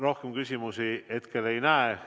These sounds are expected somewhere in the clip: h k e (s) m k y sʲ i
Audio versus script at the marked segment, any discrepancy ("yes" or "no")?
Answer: yes